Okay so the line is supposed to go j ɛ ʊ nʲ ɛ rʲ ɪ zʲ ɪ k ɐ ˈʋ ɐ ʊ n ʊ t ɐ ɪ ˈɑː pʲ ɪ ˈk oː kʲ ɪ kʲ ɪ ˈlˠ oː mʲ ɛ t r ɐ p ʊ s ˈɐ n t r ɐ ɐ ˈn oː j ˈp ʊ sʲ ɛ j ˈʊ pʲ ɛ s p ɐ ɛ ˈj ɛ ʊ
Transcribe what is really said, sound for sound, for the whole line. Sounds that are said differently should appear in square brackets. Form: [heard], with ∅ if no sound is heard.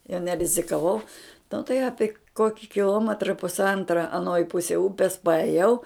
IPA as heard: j ɛ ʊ nʲ ɛ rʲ ɪ zʲ ɪ k ɐ ˈʋ ɐ ʊ n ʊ t ɐ ɪ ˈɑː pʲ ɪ ˈk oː kʲ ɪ kʲ ɪ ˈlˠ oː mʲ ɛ t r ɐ p ʊ s ˈɐ n t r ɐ ɐ ˈn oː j ˈp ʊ sʲ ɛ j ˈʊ pʲ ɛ s p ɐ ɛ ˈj ɛ ʊ